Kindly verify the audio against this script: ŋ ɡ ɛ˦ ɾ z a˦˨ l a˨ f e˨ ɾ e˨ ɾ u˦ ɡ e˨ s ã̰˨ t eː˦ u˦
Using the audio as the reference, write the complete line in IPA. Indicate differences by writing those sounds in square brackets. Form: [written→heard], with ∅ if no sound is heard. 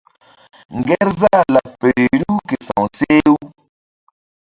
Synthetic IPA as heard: ŋ ɡ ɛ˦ ɾ z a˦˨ l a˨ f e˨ ɾ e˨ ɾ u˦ [ɡ→k] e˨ s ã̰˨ [t→s] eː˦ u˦